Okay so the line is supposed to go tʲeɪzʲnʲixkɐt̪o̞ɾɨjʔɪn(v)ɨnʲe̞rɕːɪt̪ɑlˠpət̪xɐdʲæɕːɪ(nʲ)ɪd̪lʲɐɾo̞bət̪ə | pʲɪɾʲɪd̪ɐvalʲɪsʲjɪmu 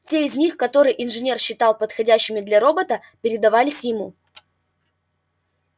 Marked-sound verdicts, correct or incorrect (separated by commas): incorrect, incorrect